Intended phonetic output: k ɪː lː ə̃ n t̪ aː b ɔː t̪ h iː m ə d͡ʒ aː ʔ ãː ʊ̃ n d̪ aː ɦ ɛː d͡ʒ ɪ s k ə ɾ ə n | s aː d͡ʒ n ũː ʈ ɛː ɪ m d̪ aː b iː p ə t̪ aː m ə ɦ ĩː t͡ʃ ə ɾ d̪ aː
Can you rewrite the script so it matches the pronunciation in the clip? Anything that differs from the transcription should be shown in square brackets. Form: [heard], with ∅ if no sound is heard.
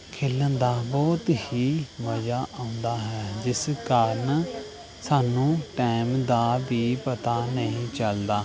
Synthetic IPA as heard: [kʰ] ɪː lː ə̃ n [d̪] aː b ɔː t̪ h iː m ə d͡ʒ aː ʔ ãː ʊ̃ n d̪ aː ɦ ɛː d͡ʒ ɪ s k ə ɾ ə n | s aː [∅] n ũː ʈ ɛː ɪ m d̪ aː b iː p ə t̪ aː [n] ə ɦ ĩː t͡ʃ ə [l] d̪ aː